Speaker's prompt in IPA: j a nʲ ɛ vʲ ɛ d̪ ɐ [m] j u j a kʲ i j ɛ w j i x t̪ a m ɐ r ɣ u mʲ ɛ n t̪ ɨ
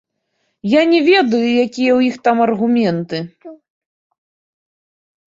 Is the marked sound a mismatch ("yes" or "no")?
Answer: yes